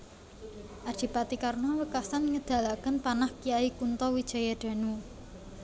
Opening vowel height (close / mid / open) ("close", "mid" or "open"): open